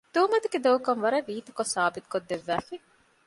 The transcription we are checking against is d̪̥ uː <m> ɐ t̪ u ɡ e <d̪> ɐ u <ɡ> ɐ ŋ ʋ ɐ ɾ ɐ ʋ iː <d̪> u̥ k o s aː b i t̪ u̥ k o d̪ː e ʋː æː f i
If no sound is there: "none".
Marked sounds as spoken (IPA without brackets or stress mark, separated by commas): m, d̪, k, t̪